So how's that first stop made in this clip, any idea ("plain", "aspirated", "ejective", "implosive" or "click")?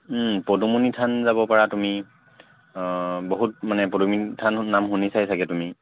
plain